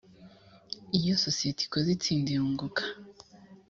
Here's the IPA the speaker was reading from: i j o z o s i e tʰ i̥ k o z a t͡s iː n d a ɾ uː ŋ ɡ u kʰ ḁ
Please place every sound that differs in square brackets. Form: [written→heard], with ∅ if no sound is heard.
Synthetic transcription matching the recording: i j o [z→s] o s i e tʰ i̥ k o z [a→i] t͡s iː n d [a→i] ɾ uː ŋ ɡ u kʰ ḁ